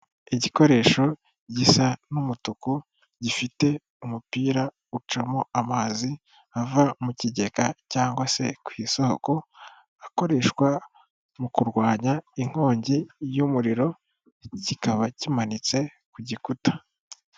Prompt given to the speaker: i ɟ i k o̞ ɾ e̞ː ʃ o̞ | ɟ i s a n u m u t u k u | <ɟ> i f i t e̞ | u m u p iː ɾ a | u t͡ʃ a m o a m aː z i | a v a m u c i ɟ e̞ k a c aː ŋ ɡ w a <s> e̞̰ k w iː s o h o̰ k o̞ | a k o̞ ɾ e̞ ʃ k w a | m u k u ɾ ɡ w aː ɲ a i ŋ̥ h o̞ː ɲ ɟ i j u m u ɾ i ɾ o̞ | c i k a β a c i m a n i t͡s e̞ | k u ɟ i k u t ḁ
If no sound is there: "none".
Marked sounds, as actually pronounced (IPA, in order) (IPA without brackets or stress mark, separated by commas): ɟ, s